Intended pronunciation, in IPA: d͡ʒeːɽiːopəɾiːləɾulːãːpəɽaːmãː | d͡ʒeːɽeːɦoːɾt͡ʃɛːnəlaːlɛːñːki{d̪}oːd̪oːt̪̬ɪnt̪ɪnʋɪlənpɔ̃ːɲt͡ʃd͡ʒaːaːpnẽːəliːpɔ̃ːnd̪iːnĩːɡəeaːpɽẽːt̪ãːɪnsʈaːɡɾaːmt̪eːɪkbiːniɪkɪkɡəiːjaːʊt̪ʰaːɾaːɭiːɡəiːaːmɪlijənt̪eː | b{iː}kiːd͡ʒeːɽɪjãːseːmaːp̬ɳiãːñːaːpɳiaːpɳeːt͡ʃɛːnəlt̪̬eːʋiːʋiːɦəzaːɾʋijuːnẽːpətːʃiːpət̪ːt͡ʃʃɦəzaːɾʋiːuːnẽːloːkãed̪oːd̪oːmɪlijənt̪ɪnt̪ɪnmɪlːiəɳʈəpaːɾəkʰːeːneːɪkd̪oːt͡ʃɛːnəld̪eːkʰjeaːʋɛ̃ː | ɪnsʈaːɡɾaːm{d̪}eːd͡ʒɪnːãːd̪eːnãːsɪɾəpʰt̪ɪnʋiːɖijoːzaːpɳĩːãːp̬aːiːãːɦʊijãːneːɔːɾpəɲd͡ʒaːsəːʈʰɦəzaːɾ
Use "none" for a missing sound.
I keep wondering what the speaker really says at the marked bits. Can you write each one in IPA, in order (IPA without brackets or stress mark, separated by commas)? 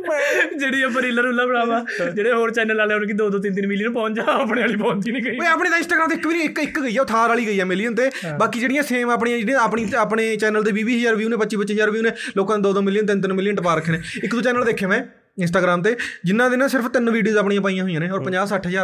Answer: d̪, aː, t̪